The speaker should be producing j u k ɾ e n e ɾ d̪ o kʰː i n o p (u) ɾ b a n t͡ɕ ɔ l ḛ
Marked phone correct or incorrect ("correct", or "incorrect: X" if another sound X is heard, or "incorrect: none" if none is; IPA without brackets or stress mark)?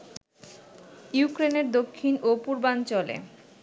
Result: correct